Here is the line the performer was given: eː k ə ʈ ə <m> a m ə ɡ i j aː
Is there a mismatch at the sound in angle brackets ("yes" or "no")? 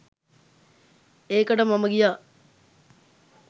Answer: no